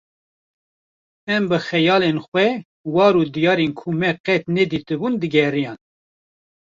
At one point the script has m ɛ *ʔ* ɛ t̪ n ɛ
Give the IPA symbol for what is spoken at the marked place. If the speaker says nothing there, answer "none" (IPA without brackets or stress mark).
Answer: q